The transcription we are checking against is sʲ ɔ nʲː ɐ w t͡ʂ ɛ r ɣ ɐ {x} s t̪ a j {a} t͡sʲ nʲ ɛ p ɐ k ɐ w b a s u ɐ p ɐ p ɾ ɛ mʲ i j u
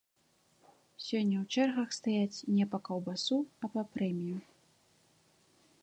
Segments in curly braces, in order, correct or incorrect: correct, correct

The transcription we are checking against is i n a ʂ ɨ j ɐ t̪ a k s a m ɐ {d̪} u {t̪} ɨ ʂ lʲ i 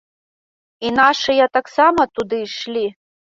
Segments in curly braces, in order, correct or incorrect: incorrect: t̪, incorrect: d̪

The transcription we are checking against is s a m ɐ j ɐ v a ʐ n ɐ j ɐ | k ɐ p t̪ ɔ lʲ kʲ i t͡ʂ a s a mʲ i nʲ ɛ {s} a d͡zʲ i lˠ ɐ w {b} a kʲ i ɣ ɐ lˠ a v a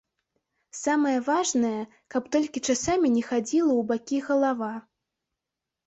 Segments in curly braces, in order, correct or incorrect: incorrect: x, correct

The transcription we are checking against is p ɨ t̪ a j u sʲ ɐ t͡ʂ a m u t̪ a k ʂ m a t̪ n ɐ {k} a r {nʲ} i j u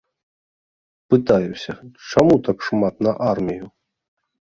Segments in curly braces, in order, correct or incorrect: incorrect: ʔ, incorrect: mʲ

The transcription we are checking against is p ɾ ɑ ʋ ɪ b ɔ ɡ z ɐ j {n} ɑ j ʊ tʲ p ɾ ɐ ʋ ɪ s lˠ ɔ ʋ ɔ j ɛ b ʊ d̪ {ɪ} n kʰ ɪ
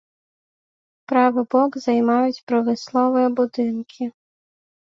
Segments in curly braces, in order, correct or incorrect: incorrect: m, correct

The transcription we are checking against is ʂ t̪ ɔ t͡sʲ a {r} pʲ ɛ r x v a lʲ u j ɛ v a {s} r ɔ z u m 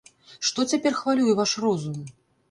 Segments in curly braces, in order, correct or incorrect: incorrect: none, incorrect: ʂ

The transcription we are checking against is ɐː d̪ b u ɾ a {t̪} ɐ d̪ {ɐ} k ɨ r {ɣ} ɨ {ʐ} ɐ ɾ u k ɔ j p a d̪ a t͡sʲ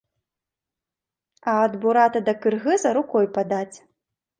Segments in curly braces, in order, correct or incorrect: correct, correct, correct, incorrect: z

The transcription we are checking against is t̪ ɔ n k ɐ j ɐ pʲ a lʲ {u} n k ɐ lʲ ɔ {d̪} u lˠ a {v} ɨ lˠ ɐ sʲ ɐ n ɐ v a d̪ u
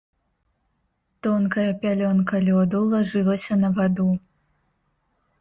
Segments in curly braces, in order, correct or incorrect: incorrect: ɔ, correct, incorrect: ʐ

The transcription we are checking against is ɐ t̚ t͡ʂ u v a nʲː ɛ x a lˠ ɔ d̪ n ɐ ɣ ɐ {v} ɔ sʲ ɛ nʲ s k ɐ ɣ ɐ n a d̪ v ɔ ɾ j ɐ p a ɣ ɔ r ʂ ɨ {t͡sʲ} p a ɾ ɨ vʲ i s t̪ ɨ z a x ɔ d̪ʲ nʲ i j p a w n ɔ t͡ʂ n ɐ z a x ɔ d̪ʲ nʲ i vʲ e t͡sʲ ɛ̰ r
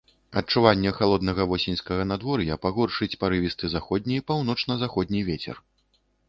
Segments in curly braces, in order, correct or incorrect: correct, correct

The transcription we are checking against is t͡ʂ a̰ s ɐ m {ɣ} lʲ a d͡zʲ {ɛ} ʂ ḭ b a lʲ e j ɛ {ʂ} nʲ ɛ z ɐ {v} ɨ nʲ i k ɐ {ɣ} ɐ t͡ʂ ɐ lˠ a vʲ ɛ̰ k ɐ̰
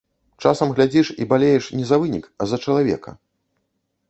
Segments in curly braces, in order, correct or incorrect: correct, incorrect: i, correct, correct, incorrect: z

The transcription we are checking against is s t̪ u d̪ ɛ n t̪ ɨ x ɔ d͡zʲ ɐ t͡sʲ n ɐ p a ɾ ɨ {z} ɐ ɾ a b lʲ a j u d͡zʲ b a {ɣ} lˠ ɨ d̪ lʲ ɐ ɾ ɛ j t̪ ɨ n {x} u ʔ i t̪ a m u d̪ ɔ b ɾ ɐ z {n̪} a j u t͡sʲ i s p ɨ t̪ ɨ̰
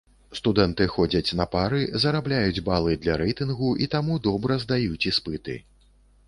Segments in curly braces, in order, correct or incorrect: correct, incorrect: none, incorrect: ɣ, incorrect: d̪

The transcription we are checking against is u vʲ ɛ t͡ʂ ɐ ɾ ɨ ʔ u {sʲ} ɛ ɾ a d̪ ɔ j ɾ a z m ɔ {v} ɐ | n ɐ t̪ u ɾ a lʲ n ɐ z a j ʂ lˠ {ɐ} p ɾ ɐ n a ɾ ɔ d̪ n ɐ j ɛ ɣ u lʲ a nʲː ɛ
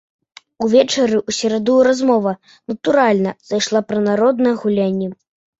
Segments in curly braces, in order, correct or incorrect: correct, correct, incorrect: a

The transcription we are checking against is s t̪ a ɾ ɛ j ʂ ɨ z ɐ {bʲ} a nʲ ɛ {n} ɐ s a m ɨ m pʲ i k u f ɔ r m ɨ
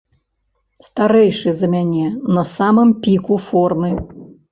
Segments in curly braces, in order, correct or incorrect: incorrect: mʲ, correct

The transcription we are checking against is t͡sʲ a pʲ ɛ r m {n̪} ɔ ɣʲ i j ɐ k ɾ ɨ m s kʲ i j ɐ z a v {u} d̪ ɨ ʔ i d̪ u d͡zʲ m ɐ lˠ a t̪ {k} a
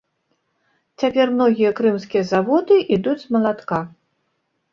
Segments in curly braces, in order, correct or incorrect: correct, incorrect: ɔ, correct

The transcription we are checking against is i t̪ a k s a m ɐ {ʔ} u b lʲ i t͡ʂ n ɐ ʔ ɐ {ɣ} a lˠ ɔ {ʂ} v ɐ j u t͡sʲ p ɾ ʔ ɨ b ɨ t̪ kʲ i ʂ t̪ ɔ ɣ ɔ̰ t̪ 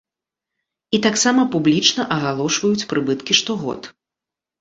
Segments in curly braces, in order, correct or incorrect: incorrect: p, correct, correct

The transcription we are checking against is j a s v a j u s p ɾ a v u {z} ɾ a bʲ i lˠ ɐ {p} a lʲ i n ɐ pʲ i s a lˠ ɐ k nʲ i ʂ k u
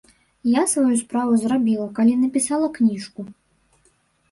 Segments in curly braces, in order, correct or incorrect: correct, incorrect: k

